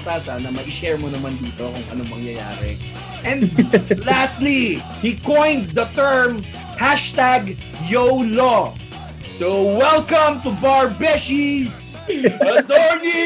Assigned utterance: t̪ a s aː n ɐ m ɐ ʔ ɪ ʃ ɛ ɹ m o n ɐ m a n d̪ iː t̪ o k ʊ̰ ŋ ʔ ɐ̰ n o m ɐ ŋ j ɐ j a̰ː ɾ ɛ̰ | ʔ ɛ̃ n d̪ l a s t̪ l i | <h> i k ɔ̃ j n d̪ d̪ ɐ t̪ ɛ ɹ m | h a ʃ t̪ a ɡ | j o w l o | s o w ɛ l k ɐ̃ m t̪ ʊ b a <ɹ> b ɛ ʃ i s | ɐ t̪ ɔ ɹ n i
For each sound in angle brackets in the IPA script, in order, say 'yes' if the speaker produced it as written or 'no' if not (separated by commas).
yes, yes